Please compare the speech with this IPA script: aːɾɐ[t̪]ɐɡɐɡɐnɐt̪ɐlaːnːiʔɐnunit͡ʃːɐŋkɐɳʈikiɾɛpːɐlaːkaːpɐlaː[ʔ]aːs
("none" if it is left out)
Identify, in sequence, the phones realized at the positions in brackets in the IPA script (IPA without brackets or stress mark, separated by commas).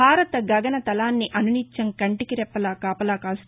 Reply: t̪, k